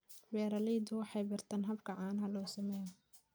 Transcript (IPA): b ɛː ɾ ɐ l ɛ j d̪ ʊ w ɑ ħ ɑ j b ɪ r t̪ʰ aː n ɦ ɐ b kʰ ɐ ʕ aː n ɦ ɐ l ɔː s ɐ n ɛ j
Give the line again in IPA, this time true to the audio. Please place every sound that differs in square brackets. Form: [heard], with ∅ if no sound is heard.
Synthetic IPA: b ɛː ɾ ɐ l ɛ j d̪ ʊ w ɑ ħ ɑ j b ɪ r t̪ʰ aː n ɦ ɐ b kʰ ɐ ʕ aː n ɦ ɐ l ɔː s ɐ [m] ɛ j